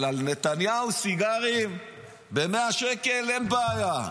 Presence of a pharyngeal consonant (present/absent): absent